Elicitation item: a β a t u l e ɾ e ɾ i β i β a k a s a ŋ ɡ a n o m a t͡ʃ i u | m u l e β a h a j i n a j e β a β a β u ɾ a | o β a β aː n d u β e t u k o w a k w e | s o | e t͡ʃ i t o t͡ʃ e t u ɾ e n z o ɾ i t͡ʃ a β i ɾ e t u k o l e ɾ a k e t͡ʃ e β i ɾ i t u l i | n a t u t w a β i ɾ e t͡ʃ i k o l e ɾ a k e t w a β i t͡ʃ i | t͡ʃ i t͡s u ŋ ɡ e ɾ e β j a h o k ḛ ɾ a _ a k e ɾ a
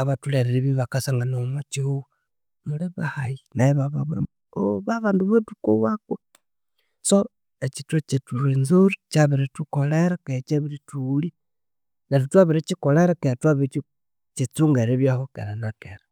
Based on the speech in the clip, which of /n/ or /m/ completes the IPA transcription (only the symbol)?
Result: n